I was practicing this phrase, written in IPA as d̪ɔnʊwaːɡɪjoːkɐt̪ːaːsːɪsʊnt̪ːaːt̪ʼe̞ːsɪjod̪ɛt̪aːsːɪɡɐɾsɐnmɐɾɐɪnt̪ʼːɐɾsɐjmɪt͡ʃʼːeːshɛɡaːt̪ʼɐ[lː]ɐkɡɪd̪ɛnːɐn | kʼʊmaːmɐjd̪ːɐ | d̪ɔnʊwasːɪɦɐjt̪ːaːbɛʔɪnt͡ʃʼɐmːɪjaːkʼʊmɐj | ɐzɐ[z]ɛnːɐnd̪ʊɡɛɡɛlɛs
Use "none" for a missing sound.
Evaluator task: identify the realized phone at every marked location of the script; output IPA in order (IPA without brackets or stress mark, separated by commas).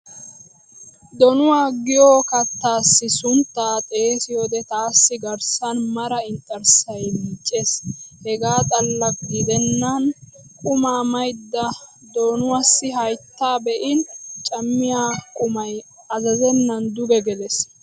lː, z